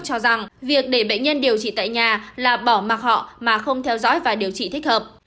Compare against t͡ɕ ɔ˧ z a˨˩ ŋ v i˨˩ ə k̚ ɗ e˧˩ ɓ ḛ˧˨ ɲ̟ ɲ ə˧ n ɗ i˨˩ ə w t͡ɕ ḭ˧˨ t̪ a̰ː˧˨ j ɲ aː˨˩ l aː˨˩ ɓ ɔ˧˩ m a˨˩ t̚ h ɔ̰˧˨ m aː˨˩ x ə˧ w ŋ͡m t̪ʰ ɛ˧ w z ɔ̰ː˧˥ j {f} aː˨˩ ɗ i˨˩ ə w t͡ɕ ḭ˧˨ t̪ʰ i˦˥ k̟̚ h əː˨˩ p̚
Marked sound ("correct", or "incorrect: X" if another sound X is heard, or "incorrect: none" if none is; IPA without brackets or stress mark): incorrect: v